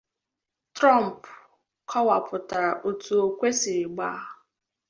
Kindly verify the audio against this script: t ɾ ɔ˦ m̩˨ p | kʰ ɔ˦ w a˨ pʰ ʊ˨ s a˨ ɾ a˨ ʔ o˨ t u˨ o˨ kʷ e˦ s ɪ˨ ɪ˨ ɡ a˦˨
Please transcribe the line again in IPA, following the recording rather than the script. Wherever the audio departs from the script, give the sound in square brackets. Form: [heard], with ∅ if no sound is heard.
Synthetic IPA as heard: t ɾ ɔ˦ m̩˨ p | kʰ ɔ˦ w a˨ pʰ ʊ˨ [t] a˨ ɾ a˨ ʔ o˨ t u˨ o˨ kʷ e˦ s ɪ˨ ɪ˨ [ɡ͡b] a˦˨